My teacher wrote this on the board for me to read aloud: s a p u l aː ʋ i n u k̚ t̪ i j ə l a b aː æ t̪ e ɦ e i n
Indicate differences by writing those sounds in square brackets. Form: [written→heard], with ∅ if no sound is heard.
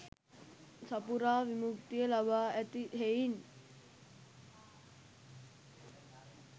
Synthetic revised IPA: s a p u [l→ɾ] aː ʋ i [n→m] u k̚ t̪ i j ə l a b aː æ t̪ [e→i] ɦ e i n

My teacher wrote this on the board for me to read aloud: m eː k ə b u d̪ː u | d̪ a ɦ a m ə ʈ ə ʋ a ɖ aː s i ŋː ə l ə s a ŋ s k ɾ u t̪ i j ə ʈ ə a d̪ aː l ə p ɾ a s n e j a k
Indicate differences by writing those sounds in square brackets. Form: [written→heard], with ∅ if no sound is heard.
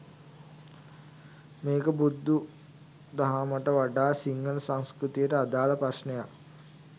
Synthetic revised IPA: m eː k ə b u d̪ː u | d̪ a ɦ a m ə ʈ ə ʋ a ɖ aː s i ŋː ə l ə s a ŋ s k ɾ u t̪ i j ə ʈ ə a d̪ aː l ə p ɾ a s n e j a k

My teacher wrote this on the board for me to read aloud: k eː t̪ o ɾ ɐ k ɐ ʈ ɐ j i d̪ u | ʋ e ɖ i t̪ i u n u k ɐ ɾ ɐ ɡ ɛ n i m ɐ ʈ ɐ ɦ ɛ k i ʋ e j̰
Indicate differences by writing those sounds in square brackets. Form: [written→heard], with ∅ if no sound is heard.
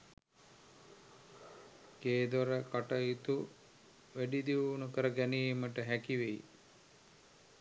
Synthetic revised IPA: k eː [t̪→d̪] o ɾ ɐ k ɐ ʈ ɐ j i [d̪→t̪] u | ʋ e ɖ i [t̪→d̪] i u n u k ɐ ɾ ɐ ɡ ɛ n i m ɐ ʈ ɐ ɦ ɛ k i ʋ e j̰

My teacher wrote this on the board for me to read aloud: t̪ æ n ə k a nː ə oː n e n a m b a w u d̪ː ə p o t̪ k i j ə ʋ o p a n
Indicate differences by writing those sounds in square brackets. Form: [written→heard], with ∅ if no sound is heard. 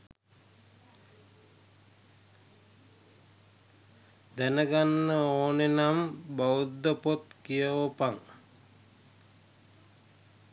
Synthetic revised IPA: [t̪→d̪] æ n ə [k→ɡ] a nː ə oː n e n a m b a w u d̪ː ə p o t̪ k i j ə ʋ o p a [n→ŋ]

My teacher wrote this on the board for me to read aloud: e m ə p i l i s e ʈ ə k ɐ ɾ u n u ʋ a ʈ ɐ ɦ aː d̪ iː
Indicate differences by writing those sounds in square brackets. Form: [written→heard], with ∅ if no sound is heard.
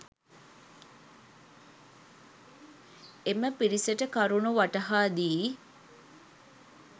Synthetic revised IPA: e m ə p i [l→ɾ] i s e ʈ ə k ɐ ɾ u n u ʋ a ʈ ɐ ɦ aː d̪ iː

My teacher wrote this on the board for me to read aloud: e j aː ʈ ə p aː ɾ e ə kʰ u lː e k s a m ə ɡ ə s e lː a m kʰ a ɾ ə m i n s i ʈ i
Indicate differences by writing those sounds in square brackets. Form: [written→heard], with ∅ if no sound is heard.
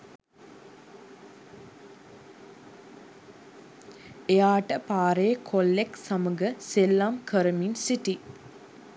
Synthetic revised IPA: e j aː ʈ ə p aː ɾ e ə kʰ [u→o] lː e k s a m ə ɡ ə s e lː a m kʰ [a→ə] ɾ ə m i n s i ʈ i

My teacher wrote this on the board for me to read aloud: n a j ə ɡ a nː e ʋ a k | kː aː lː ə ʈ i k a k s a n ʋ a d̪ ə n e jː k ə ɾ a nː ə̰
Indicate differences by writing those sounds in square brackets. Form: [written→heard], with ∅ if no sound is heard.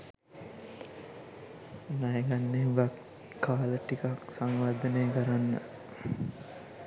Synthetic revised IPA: n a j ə ɡ a nː e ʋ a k | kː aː [lː→l] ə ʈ i k a k s a [n→ŋ] ʋ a d̪ ə n e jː k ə ɾ a nː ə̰

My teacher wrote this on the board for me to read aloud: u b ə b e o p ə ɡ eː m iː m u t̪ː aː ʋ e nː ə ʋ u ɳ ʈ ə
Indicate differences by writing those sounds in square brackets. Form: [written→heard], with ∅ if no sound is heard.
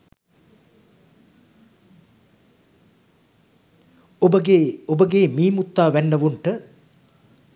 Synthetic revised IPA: [u→o] b ə [b→ɡ] e o [p→b] ə ɡ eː m iː m u t̪ː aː ʋ [e→æ] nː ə ʋ u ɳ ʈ ə

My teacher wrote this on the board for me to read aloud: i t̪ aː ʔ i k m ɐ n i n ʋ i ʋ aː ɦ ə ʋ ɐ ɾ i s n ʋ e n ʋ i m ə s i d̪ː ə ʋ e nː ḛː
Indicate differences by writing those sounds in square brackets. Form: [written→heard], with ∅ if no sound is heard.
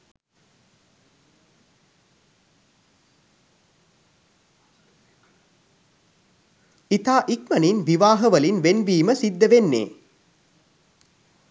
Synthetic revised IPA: i t̪ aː ʔ i k m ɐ n i n ʋ i ʋ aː ɦ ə ʋ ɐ [ɾ→l] i [s→∅] n ʋ e n ʋ [i→iː] m ə s i d̪ː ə ʋ e nː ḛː

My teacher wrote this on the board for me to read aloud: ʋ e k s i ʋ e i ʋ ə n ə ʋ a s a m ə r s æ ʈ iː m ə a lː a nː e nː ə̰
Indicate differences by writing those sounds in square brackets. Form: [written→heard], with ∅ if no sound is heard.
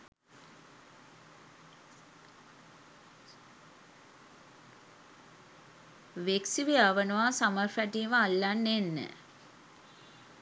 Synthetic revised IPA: ʋ e k s i ʋ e [i→a] ʋ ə n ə ʋ a s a m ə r [s→f] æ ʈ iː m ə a lː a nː e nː ə̰

